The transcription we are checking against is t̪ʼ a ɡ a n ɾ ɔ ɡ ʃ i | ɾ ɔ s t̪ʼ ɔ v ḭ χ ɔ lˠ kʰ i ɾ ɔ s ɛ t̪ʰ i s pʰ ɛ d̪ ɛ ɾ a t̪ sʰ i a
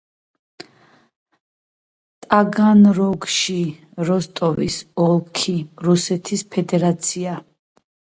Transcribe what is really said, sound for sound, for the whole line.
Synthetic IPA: t̪ʼ a ɡ a n ɾ ɔ ɡ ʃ i | ɾ ɔ s t̪ʼ ɔ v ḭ s ɔ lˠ kʰ i ɾ u s ɛ t̪ʰ i s pʰ ɛ d̪ ɛ ɾ a t̪ sʰ i a